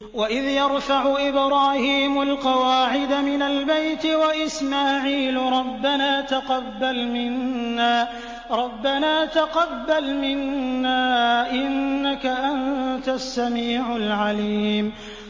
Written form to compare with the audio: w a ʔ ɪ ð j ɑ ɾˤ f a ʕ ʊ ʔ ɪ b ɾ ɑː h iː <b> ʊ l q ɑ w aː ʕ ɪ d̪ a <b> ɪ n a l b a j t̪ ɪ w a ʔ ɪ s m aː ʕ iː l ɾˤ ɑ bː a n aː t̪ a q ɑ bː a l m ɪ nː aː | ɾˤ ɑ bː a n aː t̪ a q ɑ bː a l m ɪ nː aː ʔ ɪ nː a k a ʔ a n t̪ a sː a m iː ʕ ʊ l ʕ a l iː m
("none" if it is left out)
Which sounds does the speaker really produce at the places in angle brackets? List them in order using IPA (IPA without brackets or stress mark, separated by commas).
m, m